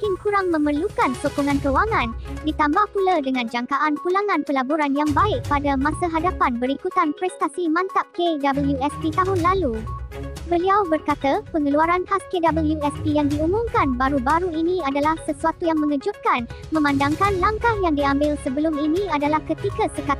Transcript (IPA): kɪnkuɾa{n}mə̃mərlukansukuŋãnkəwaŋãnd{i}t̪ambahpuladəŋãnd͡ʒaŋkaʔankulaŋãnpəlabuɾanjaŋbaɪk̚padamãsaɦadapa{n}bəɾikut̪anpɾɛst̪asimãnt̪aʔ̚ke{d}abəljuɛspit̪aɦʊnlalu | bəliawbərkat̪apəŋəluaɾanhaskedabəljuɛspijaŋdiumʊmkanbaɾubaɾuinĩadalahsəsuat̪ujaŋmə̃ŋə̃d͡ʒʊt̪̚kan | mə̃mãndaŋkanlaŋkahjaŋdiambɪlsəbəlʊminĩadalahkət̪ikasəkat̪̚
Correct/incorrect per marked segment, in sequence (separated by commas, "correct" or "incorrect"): incorrect, correct, correct, correct